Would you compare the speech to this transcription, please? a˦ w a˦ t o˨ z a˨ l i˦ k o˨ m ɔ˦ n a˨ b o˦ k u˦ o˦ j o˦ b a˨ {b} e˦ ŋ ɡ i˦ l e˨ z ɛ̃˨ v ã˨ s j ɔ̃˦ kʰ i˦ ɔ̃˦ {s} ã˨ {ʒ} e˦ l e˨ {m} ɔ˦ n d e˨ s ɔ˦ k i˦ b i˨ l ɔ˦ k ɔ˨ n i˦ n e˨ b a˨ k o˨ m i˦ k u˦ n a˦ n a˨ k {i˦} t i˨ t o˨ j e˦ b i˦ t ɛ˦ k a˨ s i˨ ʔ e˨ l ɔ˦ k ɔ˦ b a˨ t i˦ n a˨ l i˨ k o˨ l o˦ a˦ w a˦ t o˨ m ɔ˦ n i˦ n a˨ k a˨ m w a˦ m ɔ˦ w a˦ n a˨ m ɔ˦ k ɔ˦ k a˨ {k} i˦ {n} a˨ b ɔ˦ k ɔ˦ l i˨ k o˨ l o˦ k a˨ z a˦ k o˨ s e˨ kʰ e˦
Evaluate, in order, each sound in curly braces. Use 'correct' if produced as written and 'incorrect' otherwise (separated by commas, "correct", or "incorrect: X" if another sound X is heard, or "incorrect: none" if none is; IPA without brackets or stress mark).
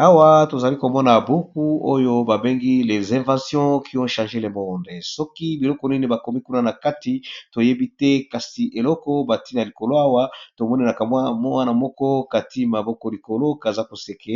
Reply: correct, incorrect: ʃ, correct, correct, incorrect: a˦, incorrect: t, incorrect: m